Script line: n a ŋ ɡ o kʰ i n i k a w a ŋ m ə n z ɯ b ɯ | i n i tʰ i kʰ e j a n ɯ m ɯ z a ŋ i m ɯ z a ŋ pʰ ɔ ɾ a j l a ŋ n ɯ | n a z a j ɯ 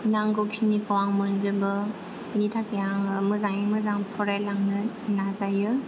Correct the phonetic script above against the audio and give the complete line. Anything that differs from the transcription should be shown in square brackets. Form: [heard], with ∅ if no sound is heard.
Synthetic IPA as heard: n a ŋ ɡ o kʰ i n i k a w a ŋ m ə n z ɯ b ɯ | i n i tʰ [a] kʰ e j a [ŋ] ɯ m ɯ z a ŋ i m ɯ z a ŋ pʰ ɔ ɾ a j l a ŋ n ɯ | n a z a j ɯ